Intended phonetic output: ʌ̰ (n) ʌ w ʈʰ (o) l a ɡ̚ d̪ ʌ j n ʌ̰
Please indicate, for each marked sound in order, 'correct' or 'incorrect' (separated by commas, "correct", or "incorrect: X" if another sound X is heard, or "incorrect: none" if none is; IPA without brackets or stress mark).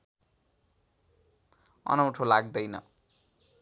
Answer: correct, correct